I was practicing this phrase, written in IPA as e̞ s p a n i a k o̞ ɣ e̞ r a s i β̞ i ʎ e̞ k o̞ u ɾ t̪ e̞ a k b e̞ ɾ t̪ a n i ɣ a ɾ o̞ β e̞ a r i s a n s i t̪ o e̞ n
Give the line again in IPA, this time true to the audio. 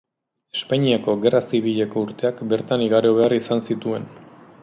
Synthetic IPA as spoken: e̞ s p a ɲ i a k o̞ ɣ e̞ r a s i β̞ i ʎ e̞ k o̞ u ɾ t̪ e̞ a k b e̞ ɾ t̪ a n i ɣ a ɾ o̞ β e̞ a r i s a n s i t̪ u e̞ n